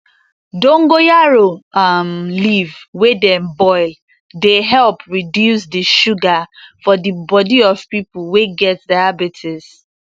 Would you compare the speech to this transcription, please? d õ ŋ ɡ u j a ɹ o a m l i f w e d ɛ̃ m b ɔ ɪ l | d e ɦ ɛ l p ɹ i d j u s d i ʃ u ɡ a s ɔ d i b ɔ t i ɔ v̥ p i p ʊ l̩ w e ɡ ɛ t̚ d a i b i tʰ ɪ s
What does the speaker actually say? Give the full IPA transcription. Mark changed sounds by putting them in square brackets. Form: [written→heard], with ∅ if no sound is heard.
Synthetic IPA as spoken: d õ ŋ ɡ [u→o] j a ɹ o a m l i [f→v] w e d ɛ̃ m b ɔ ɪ l | d e ɦ ɛ l p ɹ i d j u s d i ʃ u ɡ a [s→f] ɔ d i b ɔ [t→d] i ɔ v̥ p i p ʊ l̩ w e ɡ ɛ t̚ d a [i→a] b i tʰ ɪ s